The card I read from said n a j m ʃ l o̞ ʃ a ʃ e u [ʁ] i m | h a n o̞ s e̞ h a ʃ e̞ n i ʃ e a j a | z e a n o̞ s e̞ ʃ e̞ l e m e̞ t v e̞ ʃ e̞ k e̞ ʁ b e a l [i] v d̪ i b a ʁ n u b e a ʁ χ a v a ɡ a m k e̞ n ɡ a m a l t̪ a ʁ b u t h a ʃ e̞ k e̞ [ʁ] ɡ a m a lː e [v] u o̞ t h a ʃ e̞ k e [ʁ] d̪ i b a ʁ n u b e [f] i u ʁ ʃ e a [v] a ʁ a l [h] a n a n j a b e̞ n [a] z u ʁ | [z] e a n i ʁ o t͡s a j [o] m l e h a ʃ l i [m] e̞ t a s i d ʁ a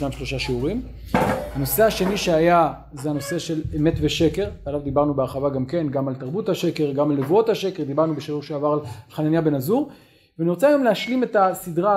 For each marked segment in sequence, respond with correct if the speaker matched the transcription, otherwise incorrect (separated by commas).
correct, incorrect, correct, correct, correct, incorrect, correct, incorrect, correct, incorrect, correct, correct